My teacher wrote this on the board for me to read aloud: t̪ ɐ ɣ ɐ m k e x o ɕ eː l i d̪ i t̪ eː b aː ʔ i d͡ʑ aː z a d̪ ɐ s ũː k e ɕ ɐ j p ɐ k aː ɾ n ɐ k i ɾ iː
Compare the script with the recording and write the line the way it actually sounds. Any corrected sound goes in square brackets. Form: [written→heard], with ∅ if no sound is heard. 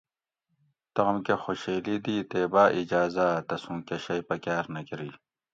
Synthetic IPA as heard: t̪ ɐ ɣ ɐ m k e x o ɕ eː l i d̪ i t̪ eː b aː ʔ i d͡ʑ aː z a [d̪→t̪] ɐ s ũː k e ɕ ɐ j p ɐ k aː ɾ n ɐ k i ɾ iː